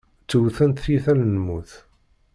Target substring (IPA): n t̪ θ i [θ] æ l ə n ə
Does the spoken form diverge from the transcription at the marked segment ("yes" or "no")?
no